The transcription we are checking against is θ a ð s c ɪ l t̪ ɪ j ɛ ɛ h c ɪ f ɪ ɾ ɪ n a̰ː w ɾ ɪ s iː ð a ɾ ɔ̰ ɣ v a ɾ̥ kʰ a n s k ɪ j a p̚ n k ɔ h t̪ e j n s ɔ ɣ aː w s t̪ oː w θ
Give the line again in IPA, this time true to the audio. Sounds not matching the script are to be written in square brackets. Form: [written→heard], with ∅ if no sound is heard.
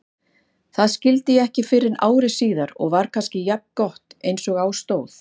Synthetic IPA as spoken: θ a ð s c ɪ l t̪ ɪ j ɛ ɛ h c ɪ f ɪ ɾ ɪ n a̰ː w ɾ ɪ s iː ð a ɾ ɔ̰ ɣ v a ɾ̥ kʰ a n s [k→c] ɪ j a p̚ n k ɔ h t̪ e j n s ɔ ɣ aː w s t̪ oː w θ